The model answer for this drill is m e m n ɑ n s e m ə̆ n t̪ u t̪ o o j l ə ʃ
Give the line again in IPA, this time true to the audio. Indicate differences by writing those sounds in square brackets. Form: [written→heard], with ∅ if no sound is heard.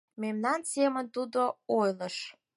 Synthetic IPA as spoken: m e m n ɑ n s e m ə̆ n t̪ u [t̪→d̪] o o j l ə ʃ